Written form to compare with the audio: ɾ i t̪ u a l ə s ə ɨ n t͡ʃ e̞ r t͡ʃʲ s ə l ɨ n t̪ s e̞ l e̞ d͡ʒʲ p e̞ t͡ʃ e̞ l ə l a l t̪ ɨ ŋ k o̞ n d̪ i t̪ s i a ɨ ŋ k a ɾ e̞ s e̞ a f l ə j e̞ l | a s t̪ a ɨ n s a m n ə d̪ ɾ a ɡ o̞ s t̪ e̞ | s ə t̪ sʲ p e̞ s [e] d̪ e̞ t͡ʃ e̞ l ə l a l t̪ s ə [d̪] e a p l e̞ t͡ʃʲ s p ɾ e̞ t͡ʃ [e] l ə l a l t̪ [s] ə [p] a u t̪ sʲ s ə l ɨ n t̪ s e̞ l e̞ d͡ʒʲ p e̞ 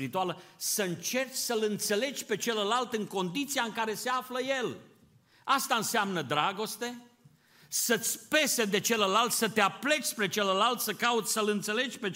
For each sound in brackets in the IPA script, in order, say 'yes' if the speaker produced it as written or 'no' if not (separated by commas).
yes, no, yes, yes, no